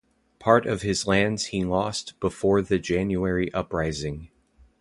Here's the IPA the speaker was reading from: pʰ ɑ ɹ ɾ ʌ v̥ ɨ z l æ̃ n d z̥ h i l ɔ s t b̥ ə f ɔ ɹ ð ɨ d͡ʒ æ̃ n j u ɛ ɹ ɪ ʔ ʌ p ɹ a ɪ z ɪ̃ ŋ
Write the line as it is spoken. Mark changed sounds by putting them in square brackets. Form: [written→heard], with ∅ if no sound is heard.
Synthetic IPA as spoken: pʰ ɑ ɹ ɾ ʌ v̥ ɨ z l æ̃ n d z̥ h i l ɔ s t b̥ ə f ɔ ɹ ð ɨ d͡ʒ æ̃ n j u ɛ ɹ [ɪ→i] ʔ ʌ p ɹ a ɪ z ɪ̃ ŋ

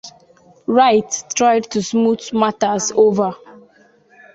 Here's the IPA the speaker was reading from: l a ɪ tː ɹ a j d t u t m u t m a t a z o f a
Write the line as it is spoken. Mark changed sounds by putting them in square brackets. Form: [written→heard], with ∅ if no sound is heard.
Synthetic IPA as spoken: [l→ɹ] a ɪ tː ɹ a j d t u [t→s] m u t m a t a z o [f→v] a

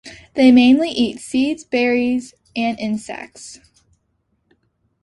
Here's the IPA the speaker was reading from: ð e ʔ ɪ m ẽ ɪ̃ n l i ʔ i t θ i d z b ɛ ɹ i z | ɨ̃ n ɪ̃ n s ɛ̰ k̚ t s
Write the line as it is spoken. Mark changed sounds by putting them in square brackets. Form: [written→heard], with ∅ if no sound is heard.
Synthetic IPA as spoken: ð e [ʔ→∅] ɪ m ẽ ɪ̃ n l i ʔ i t [θ→s] i d z b ɛ ɹ i z | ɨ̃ n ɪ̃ n s ɛ̰ k̚ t s

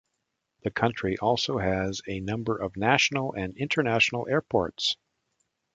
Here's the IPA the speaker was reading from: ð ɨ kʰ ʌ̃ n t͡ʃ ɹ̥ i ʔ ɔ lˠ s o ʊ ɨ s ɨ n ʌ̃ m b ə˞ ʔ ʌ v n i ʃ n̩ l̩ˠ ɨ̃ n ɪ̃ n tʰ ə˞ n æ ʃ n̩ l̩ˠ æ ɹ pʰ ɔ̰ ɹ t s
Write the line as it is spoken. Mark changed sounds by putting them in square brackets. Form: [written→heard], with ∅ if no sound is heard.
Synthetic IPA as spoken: ð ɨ kʰ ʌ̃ n t͡ʃ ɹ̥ i ʔ ɔ lˠ s o ʊ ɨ [s→z] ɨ n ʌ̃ m b ə˞ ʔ ʌ v n [i→æ] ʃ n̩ l̩ˠ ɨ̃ n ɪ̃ n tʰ ə˞ n æ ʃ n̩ l̩ˠ [æ→ɛ] ɹ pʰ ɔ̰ ɹ t s

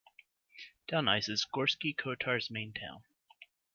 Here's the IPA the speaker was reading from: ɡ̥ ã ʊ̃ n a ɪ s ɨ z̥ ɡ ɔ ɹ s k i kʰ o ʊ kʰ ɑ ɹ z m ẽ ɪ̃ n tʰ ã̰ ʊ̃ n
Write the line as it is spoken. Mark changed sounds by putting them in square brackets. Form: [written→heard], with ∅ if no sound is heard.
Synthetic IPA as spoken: [ɡ̥→d̥] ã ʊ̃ n a ɪ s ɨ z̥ ɡ ɔ ɹ s k i kʰ o ʊ [kʰ→tʰ] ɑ ɹ z m ẽ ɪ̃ n tʰ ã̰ ʊ̃ n

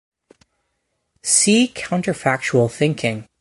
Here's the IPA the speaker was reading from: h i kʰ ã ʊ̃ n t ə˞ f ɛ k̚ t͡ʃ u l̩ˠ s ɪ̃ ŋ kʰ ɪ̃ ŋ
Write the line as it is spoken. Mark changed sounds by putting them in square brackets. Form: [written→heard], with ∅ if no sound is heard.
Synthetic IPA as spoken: [h→s] i kʰ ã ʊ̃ n t ə˞ f [ɛ→æ] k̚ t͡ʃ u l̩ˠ [s→θ] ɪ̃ ŋ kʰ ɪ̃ ŋ

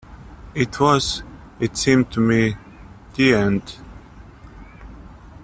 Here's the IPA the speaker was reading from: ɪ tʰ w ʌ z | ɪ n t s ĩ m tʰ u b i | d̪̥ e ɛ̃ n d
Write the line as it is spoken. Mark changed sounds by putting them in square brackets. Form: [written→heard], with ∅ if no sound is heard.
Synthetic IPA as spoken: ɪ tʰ w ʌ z | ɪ [n→∅] t s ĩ m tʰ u [b→m] i | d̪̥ [e→i] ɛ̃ n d

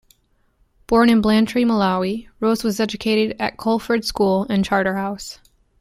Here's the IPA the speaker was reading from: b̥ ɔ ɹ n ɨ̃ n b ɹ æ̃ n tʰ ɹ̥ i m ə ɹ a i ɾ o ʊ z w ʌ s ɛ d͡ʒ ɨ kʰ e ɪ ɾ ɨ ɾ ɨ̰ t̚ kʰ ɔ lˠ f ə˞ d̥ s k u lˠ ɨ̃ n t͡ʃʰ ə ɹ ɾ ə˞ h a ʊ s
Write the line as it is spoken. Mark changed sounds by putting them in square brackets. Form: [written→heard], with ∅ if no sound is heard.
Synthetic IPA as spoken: b̥ ɔ ɹ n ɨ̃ n b [ɹ→l] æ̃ n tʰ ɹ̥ i m ə [ɹ→l] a i [ɾ→ɹ] o ʊ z w ʌ [s→z] ɛ d͡ʒ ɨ kʰ e ɪ ɾ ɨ ɾ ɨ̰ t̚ kʰ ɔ lˠ f ə˞ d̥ s k u lˠ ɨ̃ n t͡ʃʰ [ə→ɑ] ɹ ɾ ə˞ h a ʊ s

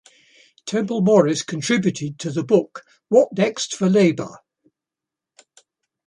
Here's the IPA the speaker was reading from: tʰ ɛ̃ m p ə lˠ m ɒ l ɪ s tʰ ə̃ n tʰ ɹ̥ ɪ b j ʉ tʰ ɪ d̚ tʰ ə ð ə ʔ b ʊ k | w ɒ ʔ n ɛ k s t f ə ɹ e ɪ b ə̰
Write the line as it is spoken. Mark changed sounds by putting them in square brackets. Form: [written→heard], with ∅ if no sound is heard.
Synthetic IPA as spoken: tʰ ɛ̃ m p ə lˠ m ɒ [l→ɹ] ɪ s [tʰ→kʰ] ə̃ n tʰ ɹ̥ ɪ b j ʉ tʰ ɪ d̚ tʰ ə ð ə [ʔ→∅] b ʊ k | w ɒ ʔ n ɛ k s t f ə [ɹ→l] e ɪ b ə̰

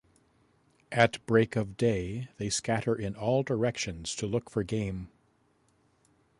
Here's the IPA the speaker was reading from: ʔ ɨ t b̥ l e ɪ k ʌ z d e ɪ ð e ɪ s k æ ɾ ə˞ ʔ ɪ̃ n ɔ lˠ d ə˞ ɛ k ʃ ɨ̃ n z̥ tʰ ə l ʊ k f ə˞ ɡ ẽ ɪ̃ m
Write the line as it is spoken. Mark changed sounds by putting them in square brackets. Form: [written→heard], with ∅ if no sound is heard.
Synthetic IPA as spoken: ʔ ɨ t b̥ [l→ɹ] e ɪ k ʌ [z→v] d e ɪ ð e ɪ s k æ ɾ ə˞ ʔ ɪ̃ n ɔ lˠ d ə˞ ɛ k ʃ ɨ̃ n z̥ tʰ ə l ʊ k f ə˞ ɡ ẽ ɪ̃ m

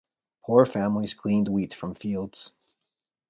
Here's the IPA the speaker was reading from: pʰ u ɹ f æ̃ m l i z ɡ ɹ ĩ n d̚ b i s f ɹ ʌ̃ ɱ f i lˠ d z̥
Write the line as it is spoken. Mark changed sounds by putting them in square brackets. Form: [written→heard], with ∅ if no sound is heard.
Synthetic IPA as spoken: pʰ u ɹ f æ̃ m l i z ɡ [ɹ→l] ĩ n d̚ [b→w] i [s→t] f ɹ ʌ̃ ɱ f i lˠ d z̥

